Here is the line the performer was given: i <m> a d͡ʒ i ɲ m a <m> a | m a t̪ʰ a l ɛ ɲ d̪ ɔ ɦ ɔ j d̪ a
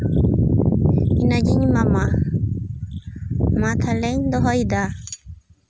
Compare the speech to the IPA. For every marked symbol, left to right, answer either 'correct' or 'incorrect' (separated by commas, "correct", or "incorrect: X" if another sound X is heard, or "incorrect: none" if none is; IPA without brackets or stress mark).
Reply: incorrect: n, correct